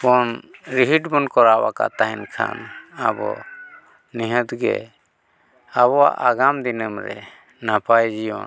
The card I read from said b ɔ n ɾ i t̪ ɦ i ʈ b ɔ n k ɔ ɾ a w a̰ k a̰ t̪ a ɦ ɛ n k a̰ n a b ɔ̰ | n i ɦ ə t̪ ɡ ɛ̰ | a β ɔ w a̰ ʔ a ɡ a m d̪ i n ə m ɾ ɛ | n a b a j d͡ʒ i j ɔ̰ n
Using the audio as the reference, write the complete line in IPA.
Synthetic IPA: b ɔ n ɾ i ɦ i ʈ b ɔ n k ɔ ɾ a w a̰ k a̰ t̪ a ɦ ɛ n kʰ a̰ n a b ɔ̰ | n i ɦ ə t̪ ɡ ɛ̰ | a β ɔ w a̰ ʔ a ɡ a m d̪ i n ə m ɾ ɛ | n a p a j d͡ʒ i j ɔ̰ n